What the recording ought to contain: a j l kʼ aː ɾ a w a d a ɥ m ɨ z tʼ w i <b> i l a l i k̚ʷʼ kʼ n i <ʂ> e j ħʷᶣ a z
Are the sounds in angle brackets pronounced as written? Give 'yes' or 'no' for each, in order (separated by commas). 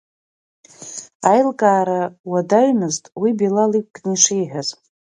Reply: yes, yes